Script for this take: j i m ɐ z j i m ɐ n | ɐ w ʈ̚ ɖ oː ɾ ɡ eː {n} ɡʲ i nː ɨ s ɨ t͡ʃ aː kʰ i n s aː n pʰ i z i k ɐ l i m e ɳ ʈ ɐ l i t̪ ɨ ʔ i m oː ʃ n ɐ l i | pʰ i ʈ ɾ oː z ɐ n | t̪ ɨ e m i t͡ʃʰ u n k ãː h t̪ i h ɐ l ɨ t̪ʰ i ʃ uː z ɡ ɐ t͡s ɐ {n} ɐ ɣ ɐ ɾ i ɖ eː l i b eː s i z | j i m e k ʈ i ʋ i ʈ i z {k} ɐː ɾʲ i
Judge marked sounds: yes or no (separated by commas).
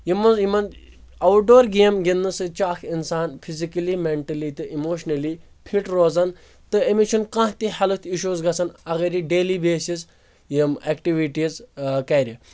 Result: no, yes, yes